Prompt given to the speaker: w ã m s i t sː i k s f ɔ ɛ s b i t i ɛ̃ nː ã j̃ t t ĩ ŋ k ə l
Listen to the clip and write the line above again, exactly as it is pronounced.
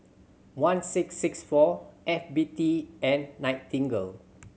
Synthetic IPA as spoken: w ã n s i k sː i k s f ɔ ɛ f b i t i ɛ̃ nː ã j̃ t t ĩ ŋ ɡ ə l